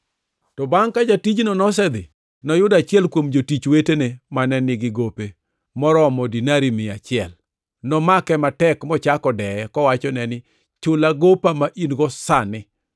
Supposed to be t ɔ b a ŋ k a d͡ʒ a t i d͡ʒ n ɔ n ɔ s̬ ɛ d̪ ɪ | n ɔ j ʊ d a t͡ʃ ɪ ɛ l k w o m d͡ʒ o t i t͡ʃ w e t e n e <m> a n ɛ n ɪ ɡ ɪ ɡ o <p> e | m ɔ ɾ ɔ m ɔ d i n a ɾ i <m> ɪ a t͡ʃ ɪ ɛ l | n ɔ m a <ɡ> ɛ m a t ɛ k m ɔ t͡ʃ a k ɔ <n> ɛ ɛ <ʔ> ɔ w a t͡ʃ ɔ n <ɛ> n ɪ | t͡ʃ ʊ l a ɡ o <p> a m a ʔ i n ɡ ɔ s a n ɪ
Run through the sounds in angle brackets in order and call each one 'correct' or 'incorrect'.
correct, correct, correct, incorrect: k, incorrect: d, incorrect: k, correct, correct

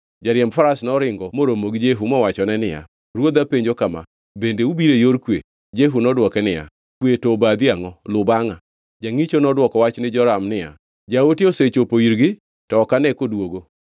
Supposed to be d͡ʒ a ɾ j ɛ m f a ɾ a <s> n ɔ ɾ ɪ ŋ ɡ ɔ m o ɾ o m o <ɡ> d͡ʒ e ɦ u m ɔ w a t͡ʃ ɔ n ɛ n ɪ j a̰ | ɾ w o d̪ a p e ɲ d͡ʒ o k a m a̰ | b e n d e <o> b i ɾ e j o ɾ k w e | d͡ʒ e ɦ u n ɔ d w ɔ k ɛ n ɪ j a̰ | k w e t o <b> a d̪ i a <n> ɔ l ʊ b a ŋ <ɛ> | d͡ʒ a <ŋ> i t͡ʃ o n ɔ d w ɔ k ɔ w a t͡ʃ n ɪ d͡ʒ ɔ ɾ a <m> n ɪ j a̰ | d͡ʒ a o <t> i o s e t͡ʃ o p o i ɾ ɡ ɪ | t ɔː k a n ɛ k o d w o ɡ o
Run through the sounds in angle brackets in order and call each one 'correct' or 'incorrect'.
correct, correct, incorrect: u, correct, incorrect: ŋ, incorrect: a, correct, correct, correct

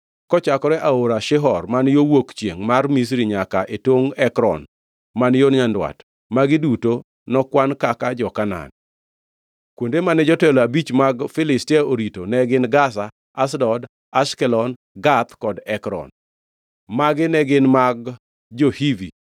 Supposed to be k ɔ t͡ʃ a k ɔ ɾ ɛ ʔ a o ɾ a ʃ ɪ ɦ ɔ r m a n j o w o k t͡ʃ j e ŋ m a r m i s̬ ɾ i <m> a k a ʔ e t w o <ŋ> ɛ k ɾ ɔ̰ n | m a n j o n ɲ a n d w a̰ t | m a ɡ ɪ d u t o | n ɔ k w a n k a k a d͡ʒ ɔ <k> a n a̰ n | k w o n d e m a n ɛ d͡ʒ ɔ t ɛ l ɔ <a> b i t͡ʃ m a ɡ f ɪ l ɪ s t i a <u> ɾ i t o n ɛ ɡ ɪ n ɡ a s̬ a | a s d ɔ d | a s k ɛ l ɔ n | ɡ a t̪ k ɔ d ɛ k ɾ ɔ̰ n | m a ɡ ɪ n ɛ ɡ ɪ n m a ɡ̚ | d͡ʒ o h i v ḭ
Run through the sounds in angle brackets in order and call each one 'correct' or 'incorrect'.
incorrect: ɲ, correct, correct, correct, incorrect: o

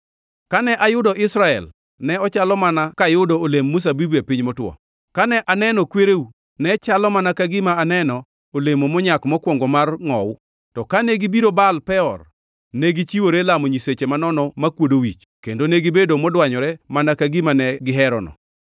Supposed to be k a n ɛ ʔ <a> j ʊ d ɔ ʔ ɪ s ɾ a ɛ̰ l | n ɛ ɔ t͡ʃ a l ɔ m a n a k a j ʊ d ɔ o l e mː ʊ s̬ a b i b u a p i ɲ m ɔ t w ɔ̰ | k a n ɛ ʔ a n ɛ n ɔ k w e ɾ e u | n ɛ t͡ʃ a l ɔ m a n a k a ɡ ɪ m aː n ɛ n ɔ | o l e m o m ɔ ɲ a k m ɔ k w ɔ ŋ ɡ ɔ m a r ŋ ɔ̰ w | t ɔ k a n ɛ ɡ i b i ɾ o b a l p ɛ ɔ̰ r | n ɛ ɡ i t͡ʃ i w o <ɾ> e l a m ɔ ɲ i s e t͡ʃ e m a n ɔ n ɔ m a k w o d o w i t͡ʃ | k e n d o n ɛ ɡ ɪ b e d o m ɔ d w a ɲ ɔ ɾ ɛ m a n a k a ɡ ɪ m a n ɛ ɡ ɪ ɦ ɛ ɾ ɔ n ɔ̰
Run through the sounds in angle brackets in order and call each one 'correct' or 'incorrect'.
correct, correct

